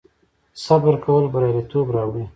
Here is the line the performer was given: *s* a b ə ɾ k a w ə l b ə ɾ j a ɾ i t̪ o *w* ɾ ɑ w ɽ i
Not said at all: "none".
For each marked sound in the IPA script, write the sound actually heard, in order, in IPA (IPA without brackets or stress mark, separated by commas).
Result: s, b